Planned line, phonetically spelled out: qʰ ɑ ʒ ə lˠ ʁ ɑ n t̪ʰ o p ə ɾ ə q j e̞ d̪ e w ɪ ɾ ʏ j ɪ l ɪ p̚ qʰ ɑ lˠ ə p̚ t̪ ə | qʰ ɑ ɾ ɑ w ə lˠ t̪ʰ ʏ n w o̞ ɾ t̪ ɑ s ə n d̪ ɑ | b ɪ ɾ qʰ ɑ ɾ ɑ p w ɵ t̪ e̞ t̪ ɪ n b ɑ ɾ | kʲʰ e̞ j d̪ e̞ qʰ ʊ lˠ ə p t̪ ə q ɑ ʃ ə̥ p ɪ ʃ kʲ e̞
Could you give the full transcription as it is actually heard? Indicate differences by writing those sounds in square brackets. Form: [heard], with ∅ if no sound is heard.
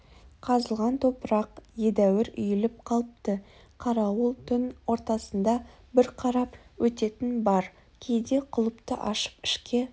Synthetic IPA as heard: qʰ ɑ [z] ə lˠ ʁ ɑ n t̪ʰ o p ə ɾ [ɑ] q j e̞ d̪ [æ] w ɪ ɾ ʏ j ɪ l ɪ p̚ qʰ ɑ lˠ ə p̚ t̪ ə | qʰ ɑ ɾ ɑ w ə lˠ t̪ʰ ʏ n w o̞ ɾ t̪ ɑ s ə n d̪ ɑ | b ɪ ɾ qʰ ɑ ɾ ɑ p w ɵ t̪ e̞ t̪ ɪ n b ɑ ɾ | kʲʰ e̞ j d̪ e̞ qʰ ʊ lˠ ə p t̪ ə [ʔ] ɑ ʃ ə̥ p ɪ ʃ kʲ e̞